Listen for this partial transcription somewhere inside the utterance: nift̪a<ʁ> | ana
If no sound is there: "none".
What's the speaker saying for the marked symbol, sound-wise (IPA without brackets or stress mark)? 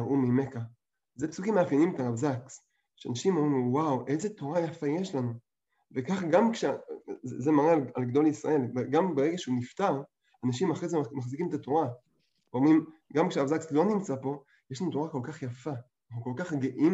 ʁ